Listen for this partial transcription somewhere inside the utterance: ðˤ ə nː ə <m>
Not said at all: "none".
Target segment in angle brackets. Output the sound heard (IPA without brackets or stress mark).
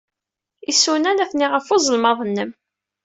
m